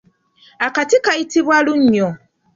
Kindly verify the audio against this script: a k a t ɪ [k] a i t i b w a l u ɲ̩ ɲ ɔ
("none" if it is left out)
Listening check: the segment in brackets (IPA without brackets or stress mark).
k